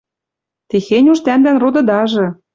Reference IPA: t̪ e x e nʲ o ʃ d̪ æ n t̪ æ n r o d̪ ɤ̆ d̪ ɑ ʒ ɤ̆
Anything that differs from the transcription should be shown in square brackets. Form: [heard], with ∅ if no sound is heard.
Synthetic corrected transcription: t̪ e x e nʲ [u] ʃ [t̪] æ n [d̪] æ n r o d̪ ɤ̆ d̪ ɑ ʒ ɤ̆